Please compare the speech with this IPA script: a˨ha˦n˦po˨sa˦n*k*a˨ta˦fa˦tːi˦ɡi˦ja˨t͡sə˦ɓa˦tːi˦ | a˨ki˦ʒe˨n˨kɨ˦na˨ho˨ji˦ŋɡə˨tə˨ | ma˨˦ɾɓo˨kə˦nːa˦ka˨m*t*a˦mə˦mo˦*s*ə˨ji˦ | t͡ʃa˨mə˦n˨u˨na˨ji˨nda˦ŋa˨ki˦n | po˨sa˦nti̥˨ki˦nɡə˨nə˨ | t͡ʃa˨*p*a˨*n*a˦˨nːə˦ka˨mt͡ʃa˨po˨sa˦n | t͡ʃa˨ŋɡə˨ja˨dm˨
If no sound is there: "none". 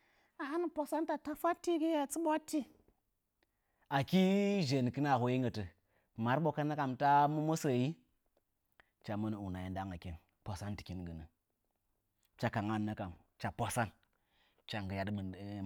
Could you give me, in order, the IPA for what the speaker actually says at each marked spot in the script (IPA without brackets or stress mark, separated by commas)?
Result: t, t, s, k, ŋ